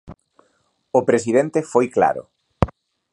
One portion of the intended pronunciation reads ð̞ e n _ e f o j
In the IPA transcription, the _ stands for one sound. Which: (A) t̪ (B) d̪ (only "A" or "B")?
A